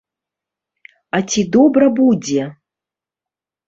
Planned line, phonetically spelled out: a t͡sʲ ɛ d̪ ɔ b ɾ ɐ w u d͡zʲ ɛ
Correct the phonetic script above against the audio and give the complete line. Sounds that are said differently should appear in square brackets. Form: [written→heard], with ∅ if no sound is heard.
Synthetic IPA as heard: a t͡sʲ [ɛ→i] d̪ ɔ b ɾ ɐ [w→b] u d͡zʲ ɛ